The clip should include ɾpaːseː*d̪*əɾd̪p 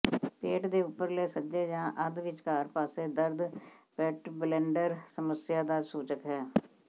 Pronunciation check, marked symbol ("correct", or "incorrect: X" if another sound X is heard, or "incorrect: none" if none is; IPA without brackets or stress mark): correct